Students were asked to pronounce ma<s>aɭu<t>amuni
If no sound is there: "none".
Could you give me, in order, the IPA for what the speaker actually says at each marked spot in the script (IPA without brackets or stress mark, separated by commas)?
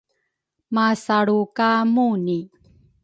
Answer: s, k